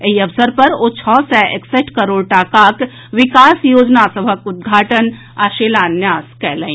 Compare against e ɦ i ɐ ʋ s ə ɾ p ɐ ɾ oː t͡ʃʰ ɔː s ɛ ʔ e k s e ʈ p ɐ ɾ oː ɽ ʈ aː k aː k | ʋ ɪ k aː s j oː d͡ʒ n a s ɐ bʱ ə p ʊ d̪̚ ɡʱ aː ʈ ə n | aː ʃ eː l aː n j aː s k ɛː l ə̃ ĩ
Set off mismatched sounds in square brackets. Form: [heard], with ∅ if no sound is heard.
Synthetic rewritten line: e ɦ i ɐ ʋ s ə ɾ p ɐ ɾ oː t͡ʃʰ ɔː s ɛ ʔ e k s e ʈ [k] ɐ ɾ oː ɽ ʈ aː k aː k | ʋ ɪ k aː s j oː d͡ʒ n a s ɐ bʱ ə [k] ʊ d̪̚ ɡʱ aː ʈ ə n | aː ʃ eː l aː n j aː s k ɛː l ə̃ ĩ